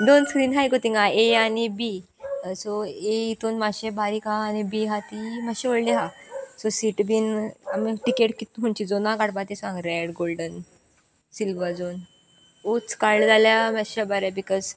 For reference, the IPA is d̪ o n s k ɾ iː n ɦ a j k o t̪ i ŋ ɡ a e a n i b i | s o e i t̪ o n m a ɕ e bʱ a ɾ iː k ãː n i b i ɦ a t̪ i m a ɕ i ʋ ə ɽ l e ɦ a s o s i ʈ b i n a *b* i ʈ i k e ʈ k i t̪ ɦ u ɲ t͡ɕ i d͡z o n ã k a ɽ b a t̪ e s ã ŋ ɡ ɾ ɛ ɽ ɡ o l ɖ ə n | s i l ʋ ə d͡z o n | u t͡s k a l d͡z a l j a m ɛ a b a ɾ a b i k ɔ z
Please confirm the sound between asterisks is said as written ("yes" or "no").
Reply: no